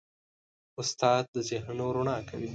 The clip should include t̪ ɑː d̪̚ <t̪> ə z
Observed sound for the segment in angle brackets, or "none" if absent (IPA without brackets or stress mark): d̪